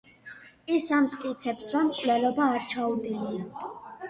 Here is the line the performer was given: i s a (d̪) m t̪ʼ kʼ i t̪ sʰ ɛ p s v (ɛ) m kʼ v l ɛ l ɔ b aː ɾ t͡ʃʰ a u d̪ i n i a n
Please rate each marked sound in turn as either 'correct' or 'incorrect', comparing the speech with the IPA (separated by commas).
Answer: incorrect, incorrect